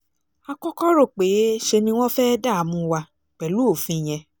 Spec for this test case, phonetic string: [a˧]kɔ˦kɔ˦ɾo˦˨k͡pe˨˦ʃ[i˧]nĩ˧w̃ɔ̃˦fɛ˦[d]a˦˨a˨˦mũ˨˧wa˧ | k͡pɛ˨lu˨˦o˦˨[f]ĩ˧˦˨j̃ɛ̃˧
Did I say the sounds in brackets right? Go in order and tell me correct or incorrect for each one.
correct, incorrect: e˧, correct, correct

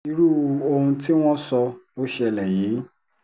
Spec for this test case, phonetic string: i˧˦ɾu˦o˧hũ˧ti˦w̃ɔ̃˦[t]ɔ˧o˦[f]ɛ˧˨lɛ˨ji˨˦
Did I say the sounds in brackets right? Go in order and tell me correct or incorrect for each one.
incorrect: s, incorrect: ʃ

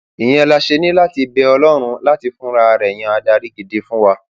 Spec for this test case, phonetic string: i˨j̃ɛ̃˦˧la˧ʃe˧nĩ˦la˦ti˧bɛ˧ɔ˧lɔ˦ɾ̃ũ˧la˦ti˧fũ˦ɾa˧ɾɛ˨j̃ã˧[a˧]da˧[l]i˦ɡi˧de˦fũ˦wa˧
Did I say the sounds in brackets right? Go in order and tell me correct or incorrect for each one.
correct, incorrect: ɾ

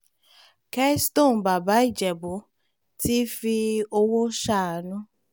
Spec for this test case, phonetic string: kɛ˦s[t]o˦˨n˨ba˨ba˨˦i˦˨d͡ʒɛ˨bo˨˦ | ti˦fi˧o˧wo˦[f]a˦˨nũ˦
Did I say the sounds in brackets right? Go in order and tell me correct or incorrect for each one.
correct, incorrect: ʃ

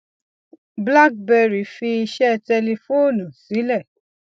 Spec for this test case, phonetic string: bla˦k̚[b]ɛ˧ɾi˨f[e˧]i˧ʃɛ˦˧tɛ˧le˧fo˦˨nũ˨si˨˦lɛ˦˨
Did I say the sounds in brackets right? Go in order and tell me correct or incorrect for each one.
correct, incorrect: i˧

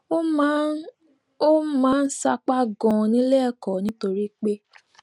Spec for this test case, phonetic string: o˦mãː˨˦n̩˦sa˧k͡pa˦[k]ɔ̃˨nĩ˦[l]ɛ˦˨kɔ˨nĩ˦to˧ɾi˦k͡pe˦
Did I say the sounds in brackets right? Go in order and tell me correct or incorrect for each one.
incorrect: ɡ, correct

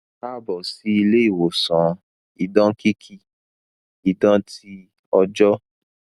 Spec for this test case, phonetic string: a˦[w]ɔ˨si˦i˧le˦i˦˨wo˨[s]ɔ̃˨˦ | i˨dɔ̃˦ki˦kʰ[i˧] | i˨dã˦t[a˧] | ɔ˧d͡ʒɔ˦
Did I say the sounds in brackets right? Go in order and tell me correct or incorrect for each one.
incorrect: b, correct, correct, incorrect: i˧

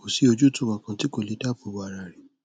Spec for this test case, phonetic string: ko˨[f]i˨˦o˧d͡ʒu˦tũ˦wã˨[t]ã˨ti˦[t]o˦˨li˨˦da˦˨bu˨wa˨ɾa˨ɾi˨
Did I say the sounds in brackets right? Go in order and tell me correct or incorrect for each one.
incorrect: s, incorrect: k, incorrect: k

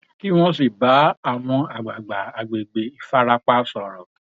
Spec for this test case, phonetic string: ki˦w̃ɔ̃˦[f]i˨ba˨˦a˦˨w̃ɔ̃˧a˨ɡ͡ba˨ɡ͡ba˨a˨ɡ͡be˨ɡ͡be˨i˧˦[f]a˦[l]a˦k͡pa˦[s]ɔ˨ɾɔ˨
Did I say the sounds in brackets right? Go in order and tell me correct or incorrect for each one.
incorrect: s, correct, incorrect: ɾ, correct

